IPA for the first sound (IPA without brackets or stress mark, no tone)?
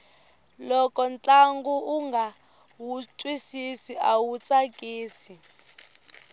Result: l